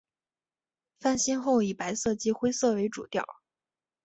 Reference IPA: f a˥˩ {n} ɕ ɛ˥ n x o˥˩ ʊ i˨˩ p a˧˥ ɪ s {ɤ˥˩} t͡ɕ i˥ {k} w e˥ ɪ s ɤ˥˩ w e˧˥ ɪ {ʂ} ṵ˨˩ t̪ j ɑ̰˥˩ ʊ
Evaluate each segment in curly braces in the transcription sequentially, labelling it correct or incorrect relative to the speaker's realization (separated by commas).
correct, correct, incorrect, incorrect